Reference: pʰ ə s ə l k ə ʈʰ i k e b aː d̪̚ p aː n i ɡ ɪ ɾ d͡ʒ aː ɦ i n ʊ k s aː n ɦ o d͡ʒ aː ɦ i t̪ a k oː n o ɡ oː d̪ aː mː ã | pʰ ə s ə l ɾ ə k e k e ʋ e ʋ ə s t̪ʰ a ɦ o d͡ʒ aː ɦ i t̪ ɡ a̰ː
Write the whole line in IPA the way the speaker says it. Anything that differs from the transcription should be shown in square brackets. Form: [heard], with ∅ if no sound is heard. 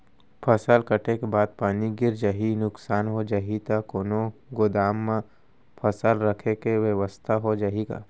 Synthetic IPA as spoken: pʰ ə s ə l k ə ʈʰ [e] k e b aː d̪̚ p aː n i ɡ ɪ ɾ d͡ʒ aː ɦ i n ʊ k s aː n ɦ o d͡ʒ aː ɦ i t̪ a k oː n o ɡ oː d̪ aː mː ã | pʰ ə s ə l ɾ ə [kʰ] e k e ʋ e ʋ ə s t̪ʰ a ɦ o d͡ʒ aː ɦ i [∅] ɡ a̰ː